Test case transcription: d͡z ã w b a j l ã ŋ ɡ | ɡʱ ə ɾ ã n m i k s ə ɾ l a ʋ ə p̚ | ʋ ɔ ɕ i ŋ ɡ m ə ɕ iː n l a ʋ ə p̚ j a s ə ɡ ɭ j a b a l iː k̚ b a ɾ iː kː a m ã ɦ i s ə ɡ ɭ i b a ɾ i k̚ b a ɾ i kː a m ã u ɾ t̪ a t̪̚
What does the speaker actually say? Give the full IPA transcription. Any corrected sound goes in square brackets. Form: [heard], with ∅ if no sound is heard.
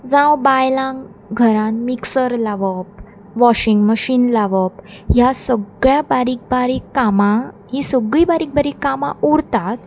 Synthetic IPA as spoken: d͡z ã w b a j l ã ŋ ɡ | ɡʱ ə ɾ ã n m i k s ə ɾ l a ʋ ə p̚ | ʋ ɔ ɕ i ŋ ɡ m ə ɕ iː n l a ʋ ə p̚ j a s ə ɡ ɭ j a b a [ɾ] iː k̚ b a ɾ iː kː a m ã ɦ i s ə ɡ ɭ i b a ɾ i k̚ b a ɾ i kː a m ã u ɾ t̪ a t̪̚